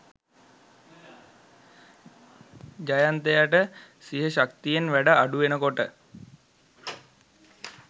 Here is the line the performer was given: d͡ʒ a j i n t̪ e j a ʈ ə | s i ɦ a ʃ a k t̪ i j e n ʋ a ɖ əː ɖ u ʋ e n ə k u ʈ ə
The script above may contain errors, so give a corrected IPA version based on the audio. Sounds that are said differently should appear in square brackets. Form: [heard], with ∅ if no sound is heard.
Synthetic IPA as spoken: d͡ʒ a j [a] n t̪ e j a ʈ ə | s i ɦ [ə] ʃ a k t̪ i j e n ʋ [æ] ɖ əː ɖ u ʋ e n ə k [o] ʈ ə

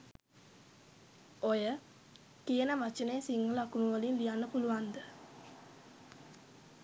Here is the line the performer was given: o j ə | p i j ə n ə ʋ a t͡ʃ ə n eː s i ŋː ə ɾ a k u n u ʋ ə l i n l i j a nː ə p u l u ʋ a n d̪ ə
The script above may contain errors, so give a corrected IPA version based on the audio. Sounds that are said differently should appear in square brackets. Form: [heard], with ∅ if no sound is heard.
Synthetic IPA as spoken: o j ə | [k] i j ə n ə ʋ a t͡ʃ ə n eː s i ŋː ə [l] a k u n u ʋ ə l i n l i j a nː ə p u l u ʋ a n d̪ ə

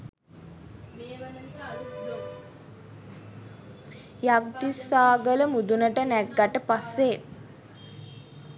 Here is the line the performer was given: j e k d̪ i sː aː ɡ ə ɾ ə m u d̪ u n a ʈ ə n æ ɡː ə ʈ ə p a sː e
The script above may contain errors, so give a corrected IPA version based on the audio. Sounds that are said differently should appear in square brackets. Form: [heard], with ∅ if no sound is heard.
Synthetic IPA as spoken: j [a] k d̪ i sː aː ɡ ə [l] ə m u d̪ u n [ə] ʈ ə n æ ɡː [a] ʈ ə p a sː e

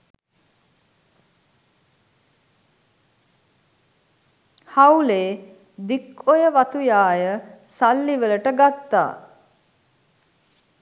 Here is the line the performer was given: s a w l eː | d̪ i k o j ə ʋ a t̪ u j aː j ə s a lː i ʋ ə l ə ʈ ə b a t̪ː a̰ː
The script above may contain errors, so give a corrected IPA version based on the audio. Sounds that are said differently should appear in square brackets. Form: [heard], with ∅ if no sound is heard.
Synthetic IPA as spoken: [h] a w l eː | d̪ i k o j ə ʋ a t̪ u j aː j ə s a lː i ʋ ə l ə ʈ ə [ɡ] a t̪ː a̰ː

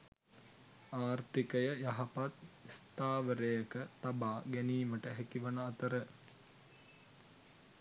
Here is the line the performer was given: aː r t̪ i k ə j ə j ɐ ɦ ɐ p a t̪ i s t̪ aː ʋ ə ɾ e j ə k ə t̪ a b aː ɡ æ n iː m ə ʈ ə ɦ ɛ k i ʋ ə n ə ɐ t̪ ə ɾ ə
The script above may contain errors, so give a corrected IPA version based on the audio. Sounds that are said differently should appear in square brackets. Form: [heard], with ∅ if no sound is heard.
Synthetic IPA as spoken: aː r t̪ i k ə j ə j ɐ ɦ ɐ p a t̪ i s t̪ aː ʋ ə ɾ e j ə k ə t̪ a b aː ɡ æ n iː m ə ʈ ə ɦ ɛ k i ʋ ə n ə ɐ t̪ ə ɾ ə

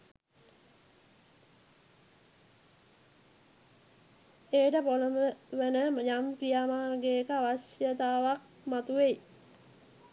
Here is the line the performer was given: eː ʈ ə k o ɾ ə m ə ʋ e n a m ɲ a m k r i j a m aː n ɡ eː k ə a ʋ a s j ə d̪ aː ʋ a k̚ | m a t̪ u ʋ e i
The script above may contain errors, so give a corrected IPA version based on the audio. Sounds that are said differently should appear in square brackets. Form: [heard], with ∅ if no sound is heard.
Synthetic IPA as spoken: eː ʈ ə [p] o [l] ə m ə ʋ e n [ə] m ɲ a m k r i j a m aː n ɡ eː k ə a ʋ a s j ə [t̪] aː ʋ a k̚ | m a t̪ u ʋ e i

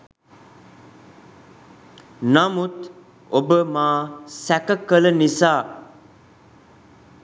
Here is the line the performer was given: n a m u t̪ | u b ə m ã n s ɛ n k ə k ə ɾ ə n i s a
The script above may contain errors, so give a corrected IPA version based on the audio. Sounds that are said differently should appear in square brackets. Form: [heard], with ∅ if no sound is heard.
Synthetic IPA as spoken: n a m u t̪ | [o] b ə m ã [∅] s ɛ [∅] k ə k ə [l] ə n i s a

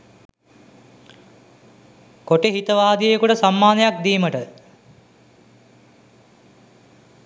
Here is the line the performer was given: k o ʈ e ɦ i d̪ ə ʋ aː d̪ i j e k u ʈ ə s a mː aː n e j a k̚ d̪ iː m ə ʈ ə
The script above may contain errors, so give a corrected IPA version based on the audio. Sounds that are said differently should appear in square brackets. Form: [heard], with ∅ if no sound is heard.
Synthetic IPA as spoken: k o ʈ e ɦ i [t̪] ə ʋ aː d̪ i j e k u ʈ ə s a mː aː n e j a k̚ d̪ iː m ə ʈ ə

